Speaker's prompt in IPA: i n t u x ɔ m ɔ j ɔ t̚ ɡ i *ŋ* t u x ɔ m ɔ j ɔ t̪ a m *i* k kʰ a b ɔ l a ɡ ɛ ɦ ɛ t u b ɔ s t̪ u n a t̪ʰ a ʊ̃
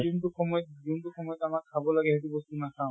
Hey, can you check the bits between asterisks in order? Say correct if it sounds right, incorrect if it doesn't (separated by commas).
incorrect, incorrect